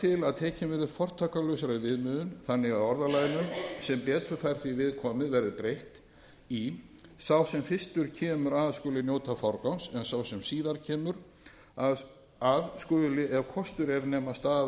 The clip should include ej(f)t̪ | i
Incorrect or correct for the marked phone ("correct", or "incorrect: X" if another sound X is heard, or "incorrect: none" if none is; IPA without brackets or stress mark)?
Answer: incorrect: h